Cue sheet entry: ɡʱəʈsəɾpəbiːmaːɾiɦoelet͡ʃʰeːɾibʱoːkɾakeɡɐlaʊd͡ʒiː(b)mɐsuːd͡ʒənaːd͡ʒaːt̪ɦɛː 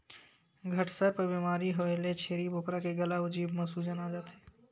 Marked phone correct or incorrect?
correct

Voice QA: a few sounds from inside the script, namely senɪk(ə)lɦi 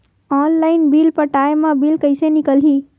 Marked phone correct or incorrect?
correct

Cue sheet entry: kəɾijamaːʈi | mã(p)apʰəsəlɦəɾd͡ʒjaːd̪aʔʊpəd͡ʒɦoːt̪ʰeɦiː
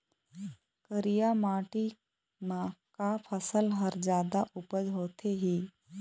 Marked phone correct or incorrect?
incorrect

